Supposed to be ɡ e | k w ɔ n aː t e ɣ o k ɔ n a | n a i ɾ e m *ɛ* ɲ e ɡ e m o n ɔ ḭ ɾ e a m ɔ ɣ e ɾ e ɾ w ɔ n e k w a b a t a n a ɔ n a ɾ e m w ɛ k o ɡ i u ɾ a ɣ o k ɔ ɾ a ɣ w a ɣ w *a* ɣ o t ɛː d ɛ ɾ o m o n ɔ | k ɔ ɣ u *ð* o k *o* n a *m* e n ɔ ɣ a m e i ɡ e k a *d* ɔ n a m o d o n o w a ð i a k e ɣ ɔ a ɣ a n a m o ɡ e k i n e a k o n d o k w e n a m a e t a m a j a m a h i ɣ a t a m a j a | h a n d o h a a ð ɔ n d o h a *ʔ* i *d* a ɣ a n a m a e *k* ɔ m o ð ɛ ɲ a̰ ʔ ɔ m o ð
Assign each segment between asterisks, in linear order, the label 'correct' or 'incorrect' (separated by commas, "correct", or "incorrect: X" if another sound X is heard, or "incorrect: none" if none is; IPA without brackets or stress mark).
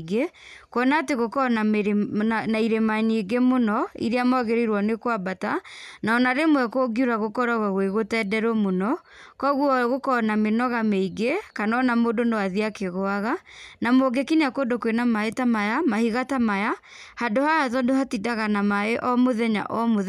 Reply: incorrect: a, incorrect: e, incorrect: ɣ, incorrect: ɔ, correct, incorrect: n, incorrect: t, correct, incorrect: ʔ